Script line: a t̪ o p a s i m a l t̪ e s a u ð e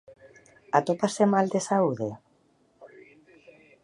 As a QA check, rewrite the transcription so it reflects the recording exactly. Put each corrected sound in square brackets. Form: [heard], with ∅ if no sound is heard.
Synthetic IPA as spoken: a t̪ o p a s [e] m a l [d̪] e s a u ð e